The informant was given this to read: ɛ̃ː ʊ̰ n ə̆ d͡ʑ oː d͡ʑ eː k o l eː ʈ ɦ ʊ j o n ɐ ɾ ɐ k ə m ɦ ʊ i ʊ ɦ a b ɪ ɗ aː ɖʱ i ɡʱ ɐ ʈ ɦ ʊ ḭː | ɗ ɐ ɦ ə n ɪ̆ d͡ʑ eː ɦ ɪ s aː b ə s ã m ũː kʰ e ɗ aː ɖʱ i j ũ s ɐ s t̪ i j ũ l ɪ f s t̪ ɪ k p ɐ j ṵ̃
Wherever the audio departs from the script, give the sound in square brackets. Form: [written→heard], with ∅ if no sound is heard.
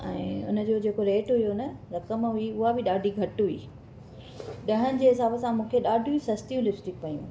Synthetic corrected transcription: ɛ̃ː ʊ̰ n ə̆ d͡ʑ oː d͡ʑ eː k o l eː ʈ ɦ ʊ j o n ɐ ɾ ɐ k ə m ɦ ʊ i ʊ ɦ a b ɪ ɗ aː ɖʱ i ɡʱ ɐ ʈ ɦ ʊ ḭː | ɗ ɐ ɦ ə n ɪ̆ d͡ʑ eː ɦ ɪ s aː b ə s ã m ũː kʰ e ɗ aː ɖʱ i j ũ s ɐ s t̪ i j ũ l ɪ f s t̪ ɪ k p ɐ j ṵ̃